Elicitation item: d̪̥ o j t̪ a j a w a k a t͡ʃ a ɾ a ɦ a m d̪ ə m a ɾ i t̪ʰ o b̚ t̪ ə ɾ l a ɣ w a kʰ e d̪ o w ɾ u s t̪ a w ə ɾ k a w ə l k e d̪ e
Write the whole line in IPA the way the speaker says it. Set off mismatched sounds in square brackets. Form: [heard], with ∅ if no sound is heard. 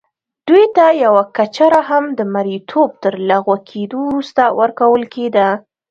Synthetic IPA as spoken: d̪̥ [u] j t̪ a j a w a k a t͡ʃ a ɾ a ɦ a m d̪ ə m a ɾ i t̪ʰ o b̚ t̪ ə ɾ l a ɣ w a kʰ e d̪ o w ɾ u s t̪ a w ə ɾ k a w ə l k e d̪ [a]